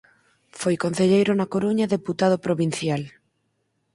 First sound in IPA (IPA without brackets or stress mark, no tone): f